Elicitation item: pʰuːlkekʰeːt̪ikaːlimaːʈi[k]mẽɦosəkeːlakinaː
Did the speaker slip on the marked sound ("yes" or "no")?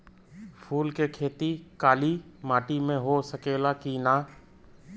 yes